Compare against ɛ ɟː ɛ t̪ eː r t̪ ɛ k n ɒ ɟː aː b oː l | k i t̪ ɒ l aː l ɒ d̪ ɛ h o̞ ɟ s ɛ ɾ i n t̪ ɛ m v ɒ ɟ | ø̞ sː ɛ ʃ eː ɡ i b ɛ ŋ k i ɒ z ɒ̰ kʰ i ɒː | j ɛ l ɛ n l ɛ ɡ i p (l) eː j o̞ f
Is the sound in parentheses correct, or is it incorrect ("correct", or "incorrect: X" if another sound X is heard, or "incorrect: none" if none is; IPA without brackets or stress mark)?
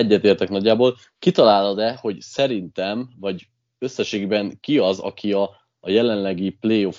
correct